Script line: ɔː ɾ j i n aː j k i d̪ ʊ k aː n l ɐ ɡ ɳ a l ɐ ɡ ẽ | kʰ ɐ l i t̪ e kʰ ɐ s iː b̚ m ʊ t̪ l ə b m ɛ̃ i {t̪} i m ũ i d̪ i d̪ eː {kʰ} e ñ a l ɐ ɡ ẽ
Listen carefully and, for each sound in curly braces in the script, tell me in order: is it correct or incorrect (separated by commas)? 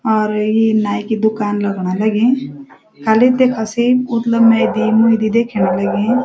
incorrect, correct